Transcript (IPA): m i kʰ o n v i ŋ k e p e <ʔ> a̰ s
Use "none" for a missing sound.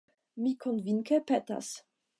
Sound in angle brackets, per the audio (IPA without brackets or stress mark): t